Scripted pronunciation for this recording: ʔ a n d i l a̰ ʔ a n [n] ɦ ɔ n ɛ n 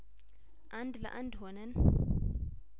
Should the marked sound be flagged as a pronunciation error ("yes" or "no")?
yes